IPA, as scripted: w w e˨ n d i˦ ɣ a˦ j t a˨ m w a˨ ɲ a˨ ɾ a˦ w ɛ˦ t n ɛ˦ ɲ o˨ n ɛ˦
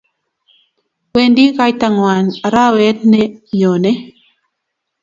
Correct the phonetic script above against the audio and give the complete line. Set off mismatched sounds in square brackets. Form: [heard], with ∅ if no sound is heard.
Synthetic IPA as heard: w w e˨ n d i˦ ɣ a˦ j t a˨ [ŋ] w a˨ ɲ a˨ ɾ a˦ w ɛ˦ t n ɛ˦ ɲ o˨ n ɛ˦